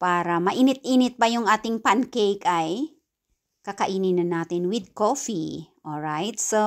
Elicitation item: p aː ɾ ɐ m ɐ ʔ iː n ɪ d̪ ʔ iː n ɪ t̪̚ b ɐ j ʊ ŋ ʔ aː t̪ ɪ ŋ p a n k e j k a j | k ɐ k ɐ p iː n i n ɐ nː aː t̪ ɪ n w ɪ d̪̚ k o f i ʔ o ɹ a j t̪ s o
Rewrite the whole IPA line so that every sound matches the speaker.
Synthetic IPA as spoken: p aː ɾ ɐ m ɐ ʔ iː n ɪ t̪ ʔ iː n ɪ t̪̚ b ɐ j ʊ ŋ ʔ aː t̪ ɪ ŋ p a n k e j k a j | k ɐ k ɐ ʔ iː n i n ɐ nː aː t̪ ɪ n w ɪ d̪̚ k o f i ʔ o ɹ a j t̪ s o